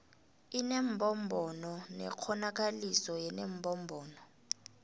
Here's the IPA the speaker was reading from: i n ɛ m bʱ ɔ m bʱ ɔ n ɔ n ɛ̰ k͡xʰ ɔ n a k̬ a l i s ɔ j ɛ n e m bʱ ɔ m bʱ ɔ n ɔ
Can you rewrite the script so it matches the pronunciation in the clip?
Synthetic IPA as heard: i n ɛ m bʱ ɔ m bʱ ɔ n ɔ n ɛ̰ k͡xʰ ɔ n a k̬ a l i s ɔ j ɛ n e m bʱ ɔ m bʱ ɔː n ɔ